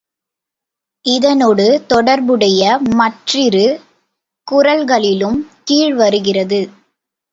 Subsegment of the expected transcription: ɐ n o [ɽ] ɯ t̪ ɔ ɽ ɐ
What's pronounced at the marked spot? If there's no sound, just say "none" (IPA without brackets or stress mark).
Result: ɽ